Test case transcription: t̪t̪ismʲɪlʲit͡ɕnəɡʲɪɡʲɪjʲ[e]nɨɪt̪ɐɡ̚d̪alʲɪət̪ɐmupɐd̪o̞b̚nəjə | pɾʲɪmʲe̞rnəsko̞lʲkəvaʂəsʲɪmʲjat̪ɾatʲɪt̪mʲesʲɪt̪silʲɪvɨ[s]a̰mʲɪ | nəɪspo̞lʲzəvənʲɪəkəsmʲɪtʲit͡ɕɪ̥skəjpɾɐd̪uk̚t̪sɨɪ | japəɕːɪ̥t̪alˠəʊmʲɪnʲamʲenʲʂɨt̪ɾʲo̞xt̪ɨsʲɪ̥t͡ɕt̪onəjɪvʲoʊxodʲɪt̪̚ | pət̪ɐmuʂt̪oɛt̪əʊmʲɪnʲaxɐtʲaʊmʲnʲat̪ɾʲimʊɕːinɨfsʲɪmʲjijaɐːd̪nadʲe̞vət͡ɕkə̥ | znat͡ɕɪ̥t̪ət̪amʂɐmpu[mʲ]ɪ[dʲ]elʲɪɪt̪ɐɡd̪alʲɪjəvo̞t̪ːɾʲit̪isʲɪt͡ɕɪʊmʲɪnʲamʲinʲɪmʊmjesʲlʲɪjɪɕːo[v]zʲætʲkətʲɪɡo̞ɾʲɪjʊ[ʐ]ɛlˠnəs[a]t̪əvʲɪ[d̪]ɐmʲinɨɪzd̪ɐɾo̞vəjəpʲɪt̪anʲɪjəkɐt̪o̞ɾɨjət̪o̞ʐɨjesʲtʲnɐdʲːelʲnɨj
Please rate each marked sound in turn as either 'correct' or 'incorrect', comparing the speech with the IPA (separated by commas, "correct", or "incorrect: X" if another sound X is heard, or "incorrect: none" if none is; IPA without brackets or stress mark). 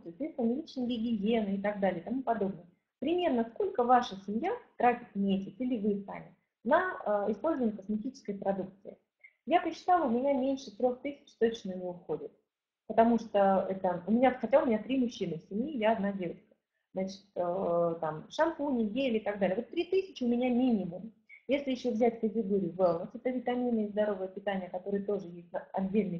correct, correct, incorrect: nʲ, incorrect: ɡʲ, correct, incorrect: v, incorrect: ɛ, incorrect: t̪